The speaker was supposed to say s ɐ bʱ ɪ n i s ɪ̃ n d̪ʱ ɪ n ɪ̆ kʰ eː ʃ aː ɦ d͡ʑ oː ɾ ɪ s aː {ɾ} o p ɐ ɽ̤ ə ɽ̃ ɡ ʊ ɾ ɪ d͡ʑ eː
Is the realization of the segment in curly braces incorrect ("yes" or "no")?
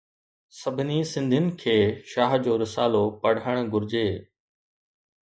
yes